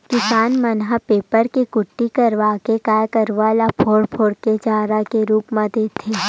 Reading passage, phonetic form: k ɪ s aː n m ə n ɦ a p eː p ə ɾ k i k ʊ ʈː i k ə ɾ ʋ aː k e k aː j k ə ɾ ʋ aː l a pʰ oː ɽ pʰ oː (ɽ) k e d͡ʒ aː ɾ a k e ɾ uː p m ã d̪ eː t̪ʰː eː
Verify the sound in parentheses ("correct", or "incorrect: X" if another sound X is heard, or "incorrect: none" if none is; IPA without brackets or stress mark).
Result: correct